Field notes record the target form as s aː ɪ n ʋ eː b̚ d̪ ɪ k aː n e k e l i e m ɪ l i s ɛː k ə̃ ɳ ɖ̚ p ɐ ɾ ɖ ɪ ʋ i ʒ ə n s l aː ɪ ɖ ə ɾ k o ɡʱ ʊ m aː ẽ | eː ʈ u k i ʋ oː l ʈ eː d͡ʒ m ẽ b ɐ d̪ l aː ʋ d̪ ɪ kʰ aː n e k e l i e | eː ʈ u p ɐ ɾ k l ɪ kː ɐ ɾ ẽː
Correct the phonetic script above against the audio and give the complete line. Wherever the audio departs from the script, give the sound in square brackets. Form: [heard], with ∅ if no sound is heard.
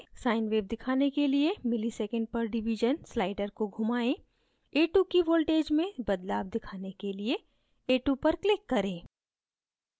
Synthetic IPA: s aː ɪ n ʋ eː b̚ d̪ ɪ [kʰ] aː n e k e l i e m ɪ l i s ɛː k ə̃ ɳ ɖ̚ p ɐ ɾ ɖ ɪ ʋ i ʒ ə n s l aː ɪ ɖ ə ɾ k o ɡʱ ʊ m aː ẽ | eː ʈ u k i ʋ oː l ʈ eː d͡ʒ m ẽ b ɐ d̪ l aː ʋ d̪ ɪ kʰ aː n e k e l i e | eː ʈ u p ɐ ɾ k l ɪ kː ɐ ɾ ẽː

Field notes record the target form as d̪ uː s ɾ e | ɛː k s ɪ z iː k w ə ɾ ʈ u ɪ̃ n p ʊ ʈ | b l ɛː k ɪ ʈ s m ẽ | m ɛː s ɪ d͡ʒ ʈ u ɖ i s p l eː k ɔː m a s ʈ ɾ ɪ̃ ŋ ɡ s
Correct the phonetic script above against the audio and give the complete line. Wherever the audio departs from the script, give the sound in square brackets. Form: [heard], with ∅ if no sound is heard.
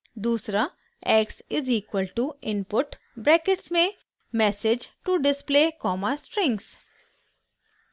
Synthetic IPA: d̪ uː s ɾ [a] | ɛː k s ɪ z iː k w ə [l] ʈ u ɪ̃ n p ʊ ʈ | b [ɾ] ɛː k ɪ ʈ s m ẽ | m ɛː s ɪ d͡ʒ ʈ u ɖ [ɪ] s p l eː k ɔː m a s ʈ ɾ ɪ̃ ŋ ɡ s

